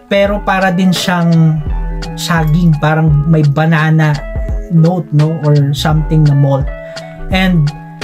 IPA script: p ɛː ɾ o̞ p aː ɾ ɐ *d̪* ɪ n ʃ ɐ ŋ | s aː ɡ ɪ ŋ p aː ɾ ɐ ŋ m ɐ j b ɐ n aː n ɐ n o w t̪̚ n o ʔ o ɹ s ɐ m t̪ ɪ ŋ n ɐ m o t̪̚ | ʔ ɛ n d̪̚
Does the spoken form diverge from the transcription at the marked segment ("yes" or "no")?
no